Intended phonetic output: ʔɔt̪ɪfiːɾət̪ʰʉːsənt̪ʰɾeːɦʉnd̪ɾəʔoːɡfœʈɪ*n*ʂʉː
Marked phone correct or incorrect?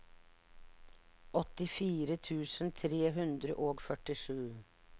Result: incorrect